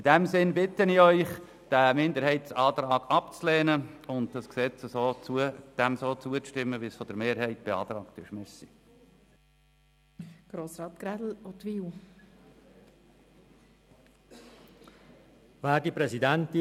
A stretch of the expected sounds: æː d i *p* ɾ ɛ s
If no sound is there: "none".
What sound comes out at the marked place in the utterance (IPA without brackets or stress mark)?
p